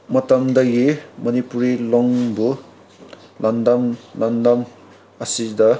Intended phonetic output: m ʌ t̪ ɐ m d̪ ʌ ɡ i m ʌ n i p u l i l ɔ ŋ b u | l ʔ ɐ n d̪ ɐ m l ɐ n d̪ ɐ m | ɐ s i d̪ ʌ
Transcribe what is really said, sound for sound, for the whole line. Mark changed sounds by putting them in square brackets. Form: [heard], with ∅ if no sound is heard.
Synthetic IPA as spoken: m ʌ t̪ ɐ m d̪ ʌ ɡ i m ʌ n i p u [ɾ] i l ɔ ŋ b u | l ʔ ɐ n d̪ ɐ m l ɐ n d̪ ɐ m | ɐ s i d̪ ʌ